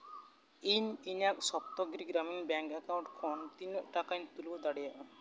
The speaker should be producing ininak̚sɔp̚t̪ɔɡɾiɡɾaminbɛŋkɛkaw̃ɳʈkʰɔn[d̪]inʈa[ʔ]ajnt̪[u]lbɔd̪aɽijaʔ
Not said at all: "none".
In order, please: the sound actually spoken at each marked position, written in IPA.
t̪, k, u

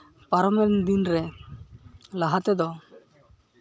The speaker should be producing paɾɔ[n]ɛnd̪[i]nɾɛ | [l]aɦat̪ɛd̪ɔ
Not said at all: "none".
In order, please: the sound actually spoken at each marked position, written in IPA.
m, i, l

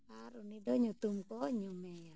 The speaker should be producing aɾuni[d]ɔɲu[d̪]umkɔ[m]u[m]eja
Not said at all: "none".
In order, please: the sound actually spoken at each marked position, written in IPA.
d, t̪, ɲ, m

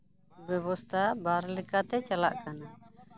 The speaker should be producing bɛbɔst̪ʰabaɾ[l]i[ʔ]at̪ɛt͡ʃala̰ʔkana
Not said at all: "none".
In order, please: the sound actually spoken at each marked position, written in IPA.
l, k

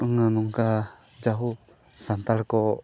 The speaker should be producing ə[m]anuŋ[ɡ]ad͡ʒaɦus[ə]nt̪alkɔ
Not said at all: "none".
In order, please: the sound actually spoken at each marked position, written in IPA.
ŋ, k, a

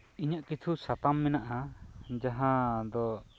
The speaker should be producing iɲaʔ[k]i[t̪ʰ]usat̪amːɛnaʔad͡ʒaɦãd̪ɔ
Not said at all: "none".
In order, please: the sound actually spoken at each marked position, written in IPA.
k, t̪ʰ

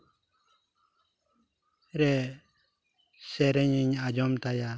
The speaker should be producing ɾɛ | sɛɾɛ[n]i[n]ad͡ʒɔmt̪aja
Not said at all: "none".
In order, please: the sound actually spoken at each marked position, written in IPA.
ɲ, ɲ

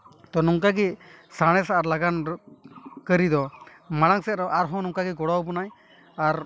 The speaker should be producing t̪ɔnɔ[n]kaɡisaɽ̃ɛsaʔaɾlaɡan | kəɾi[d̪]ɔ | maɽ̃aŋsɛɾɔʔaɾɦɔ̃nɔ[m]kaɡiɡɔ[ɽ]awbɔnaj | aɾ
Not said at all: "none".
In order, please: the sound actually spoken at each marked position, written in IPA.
ŋ, d̪, ŋ, ɽ

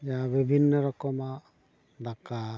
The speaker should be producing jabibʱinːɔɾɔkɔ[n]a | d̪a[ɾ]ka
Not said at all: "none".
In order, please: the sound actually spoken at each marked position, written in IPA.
m, none

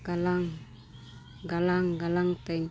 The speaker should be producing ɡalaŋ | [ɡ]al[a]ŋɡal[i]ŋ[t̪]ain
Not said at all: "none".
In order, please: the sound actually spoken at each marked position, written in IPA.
ɡ, a, a, t̪

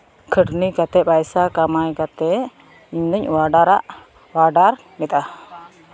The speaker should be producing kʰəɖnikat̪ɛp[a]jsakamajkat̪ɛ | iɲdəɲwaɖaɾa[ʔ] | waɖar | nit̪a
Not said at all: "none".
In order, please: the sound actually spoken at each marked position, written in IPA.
a, ʔ

